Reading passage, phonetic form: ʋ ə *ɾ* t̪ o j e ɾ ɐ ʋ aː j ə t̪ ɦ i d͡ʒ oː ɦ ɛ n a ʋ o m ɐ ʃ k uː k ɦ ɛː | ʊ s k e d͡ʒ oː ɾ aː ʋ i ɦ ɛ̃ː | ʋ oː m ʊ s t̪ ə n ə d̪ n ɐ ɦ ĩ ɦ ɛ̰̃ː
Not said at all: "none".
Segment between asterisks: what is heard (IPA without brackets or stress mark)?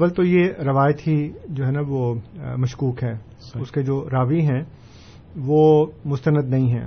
l